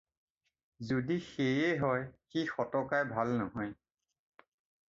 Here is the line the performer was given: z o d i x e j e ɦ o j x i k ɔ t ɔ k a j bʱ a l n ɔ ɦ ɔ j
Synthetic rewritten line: z o d i x e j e ɦ ɔ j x i x ɔ t ɔ k a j bʱ a l n ɔ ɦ ɔ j

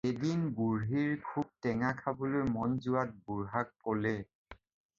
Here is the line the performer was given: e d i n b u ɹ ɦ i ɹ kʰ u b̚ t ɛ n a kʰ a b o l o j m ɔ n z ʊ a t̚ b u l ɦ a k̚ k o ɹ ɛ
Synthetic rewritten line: e d i n b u ɹ ɦ i ɹ kʰ u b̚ t ɛ ŋ a kʰ a b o l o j m ɔ n z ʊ a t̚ b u ɹ ɦ a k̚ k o l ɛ

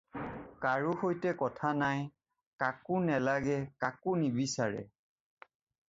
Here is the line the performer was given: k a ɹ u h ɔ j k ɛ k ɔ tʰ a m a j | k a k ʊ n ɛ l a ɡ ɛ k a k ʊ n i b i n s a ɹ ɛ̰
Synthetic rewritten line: k a ɹ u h o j t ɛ k ɔ tʰ a n a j | k a k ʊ n ɛ l a ɡ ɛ k a k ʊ n i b i s a ɹ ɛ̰

